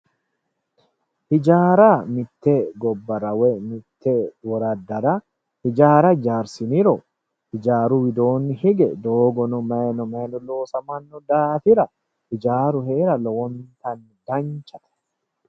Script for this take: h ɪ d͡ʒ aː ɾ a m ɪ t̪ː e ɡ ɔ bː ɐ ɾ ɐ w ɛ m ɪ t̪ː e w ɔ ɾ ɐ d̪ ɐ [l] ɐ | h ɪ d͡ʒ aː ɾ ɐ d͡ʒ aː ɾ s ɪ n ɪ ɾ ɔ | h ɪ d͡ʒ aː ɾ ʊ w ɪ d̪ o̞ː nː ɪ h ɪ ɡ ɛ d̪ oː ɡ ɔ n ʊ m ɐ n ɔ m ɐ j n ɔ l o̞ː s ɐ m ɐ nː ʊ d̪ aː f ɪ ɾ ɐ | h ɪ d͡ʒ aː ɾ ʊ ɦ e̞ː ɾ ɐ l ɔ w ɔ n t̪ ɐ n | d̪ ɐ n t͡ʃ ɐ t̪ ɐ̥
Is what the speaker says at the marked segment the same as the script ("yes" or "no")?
no